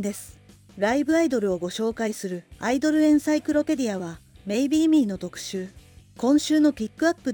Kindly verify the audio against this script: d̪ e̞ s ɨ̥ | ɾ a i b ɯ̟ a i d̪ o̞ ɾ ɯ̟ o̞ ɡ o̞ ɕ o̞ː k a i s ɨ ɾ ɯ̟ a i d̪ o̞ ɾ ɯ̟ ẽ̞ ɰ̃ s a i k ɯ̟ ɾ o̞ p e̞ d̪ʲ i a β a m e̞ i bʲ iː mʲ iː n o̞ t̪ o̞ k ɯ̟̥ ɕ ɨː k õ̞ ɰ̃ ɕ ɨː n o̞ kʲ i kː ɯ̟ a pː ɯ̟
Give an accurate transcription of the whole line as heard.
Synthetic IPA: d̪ e̞ s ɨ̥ | ɾ a i b ɯ̟ a i d̪ o̞ ɾ ɯ̟ o̞ ɡ o̞ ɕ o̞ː k a i s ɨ ɾ ɯ̟ a i d̪ o̞ ɾ ɯ̟ ẽ̞ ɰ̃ s a i k ɯ̟ ɾ o̞ p e̞ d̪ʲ i a β a m e̞ i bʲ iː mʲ iː n o̞ t̪ o̞ k ɯ̟̥ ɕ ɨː k õ̞ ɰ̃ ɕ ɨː n o̞ kʲ i kː ɯ̟ a pː ɯ̟